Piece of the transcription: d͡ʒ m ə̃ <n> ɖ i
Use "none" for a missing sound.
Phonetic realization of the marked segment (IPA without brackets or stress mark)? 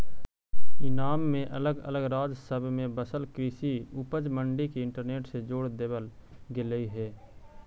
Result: ɳ